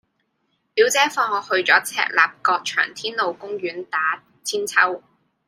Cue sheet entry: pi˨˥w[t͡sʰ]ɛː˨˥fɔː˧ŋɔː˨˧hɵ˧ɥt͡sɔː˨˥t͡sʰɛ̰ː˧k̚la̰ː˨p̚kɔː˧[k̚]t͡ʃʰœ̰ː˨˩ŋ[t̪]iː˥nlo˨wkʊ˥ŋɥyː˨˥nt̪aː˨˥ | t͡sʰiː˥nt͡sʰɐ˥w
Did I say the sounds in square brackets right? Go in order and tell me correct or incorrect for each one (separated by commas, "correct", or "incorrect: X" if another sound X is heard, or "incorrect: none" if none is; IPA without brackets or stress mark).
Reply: incorrect: t͡s, correct, incorrect: t̪ʰ